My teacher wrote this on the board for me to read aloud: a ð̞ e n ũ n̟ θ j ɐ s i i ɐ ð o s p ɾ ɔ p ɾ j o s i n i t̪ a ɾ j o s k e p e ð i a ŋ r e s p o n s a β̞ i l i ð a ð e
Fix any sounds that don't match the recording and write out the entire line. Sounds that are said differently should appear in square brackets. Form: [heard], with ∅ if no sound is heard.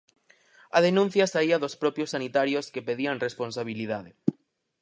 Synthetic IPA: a ð̞ e n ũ n̟ θ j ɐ s [a] i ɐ ð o s p ɾ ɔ p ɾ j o s [a] n i t̪ a ɾ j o s k e p e ð i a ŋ r e s p o n s a β̞ i l i ð a ð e